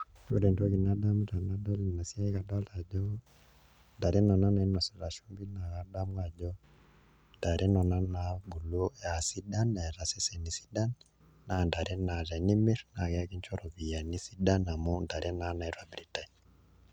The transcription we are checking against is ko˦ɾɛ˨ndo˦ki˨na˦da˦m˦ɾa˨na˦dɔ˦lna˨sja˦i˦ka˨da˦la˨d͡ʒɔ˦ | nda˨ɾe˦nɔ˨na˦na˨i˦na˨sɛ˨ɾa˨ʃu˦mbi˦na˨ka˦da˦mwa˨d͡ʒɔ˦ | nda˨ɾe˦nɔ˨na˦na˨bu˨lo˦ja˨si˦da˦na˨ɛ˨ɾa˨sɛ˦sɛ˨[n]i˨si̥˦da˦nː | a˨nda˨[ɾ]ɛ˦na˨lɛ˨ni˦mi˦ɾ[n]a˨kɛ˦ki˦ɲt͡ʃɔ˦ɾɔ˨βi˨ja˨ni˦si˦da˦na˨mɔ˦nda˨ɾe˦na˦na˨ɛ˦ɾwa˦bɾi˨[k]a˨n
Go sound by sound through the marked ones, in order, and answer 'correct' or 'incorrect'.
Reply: correct, correct, correct, incorrect: t

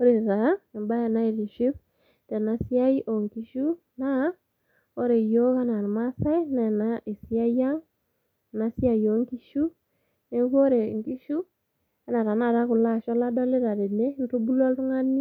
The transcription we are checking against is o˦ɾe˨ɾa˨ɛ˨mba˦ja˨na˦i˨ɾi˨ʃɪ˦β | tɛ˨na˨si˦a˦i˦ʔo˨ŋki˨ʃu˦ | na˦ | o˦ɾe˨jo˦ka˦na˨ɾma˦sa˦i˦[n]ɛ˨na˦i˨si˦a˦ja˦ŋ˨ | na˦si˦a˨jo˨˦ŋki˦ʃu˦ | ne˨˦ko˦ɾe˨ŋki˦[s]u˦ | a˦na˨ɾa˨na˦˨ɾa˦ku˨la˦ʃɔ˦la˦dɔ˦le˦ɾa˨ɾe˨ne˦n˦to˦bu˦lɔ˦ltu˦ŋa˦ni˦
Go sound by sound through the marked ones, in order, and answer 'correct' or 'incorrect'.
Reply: correct, incorrect: ʃ

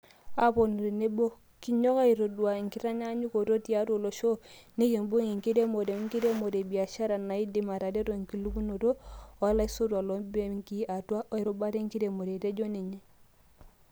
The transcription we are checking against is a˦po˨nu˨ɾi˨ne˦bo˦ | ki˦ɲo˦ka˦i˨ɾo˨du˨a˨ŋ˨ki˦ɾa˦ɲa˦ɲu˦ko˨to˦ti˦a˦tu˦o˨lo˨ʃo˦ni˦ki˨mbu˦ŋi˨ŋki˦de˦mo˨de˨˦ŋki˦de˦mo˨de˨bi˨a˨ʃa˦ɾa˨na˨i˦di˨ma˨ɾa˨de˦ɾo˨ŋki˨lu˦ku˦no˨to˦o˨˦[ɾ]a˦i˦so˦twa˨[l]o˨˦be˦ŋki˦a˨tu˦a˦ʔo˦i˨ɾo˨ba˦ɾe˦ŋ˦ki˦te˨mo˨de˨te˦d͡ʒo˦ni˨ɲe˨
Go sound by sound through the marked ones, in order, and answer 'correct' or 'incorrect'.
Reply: incorrect: l, correct

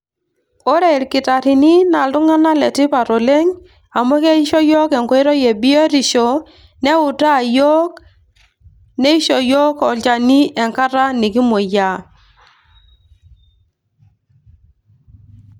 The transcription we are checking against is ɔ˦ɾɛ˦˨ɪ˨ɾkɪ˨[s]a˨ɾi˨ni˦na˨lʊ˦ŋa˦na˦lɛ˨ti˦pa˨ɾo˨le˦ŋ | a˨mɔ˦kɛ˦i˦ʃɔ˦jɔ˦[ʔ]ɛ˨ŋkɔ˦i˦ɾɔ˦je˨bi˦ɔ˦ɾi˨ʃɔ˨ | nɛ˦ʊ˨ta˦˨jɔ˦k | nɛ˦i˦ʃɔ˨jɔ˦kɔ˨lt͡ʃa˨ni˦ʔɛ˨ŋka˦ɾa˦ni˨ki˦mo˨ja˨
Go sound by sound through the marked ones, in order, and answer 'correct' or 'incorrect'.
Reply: incorrect: t, incorrect: k

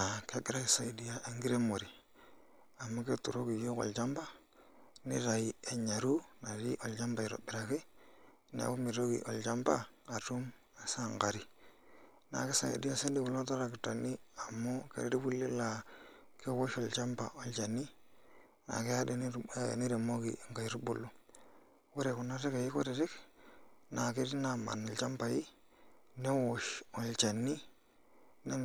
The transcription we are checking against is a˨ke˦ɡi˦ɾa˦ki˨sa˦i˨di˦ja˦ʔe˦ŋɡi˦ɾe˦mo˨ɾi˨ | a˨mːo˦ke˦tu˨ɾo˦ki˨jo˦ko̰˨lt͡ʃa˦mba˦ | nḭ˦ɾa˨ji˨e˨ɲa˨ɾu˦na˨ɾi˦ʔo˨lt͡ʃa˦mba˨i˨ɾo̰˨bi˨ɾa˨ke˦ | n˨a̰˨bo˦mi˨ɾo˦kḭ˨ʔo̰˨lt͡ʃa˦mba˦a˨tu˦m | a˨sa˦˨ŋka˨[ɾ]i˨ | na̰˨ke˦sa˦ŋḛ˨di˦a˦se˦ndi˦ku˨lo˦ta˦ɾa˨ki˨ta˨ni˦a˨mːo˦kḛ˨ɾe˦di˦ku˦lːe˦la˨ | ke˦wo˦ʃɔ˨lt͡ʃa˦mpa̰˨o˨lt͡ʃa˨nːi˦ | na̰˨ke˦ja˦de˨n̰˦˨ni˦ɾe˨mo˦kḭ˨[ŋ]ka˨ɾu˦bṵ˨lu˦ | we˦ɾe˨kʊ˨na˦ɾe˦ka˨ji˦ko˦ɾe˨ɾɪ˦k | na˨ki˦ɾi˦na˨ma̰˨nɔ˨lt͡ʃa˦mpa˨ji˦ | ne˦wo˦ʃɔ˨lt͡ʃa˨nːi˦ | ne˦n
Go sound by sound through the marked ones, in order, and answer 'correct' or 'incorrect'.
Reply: correct, correct

